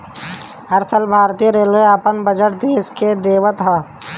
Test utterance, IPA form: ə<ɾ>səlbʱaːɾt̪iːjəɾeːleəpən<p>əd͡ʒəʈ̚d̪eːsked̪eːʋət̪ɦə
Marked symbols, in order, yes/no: yes, no

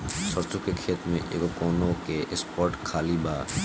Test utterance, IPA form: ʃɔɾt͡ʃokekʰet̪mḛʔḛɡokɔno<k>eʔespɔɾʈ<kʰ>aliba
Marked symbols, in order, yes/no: yes, yes

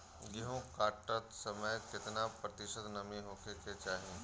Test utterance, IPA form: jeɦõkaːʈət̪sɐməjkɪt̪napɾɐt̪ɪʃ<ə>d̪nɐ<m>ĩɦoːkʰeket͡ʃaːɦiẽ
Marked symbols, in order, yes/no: yes, yes

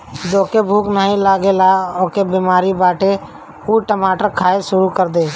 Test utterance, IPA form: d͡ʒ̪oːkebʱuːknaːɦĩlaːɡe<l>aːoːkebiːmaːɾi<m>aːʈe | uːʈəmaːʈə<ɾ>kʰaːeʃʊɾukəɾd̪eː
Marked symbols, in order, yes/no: yes, no, yes

